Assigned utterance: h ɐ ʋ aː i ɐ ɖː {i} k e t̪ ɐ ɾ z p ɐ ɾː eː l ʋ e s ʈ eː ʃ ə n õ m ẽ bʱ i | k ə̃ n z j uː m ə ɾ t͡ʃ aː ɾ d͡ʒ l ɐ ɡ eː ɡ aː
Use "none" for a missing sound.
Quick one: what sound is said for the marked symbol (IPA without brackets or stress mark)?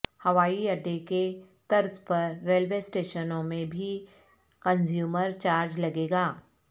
e